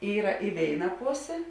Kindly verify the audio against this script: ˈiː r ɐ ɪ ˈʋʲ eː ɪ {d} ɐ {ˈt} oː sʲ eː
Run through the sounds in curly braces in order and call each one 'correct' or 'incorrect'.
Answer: incorrect, incorrect

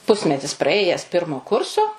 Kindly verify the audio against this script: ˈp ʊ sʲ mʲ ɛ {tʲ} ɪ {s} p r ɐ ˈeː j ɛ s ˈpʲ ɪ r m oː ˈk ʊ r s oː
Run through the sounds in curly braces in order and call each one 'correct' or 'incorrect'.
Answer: correct, correct

